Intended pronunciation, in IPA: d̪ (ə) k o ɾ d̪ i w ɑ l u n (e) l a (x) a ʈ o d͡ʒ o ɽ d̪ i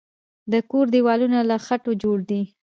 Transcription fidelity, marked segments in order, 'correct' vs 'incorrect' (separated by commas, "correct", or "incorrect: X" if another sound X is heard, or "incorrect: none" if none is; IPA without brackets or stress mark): correct, incorrect: a, correct